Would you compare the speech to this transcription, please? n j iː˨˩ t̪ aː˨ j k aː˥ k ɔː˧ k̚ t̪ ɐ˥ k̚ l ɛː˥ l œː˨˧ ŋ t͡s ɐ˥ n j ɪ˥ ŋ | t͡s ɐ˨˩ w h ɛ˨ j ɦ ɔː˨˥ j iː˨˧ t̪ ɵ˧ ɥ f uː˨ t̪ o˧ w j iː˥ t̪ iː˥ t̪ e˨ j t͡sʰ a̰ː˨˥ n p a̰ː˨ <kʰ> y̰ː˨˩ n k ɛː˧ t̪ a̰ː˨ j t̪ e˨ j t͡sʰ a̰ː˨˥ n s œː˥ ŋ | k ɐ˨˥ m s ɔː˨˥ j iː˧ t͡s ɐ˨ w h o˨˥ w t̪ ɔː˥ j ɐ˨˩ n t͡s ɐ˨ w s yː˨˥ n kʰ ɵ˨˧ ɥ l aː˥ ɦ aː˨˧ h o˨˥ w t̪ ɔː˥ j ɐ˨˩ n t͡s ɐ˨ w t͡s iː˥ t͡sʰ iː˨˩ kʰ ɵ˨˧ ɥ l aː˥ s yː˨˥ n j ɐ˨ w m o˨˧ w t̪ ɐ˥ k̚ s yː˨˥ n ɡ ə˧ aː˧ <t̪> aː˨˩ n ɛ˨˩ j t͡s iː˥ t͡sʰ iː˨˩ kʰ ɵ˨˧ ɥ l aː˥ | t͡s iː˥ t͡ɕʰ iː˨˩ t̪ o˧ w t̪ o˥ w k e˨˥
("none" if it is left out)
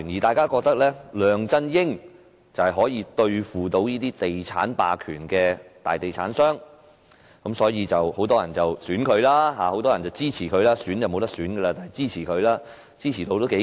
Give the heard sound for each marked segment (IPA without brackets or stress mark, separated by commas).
kʰ, t̪